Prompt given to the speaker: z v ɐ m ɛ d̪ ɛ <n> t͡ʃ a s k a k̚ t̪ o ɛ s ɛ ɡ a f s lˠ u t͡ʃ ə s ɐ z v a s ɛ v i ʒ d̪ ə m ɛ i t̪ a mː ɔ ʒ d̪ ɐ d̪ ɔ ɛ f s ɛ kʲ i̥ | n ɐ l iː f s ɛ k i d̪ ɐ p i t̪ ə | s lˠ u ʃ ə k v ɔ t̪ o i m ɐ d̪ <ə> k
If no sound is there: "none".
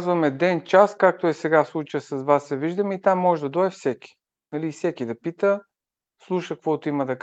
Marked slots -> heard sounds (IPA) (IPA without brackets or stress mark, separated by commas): n, ɐ